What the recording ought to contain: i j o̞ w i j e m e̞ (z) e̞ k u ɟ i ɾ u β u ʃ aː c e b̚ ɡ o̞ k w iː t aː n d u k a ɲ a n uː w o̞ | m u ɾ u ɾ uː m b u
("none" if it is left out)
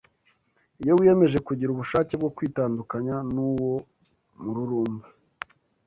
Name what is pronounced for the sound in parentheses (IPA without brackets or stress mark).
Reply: ʒ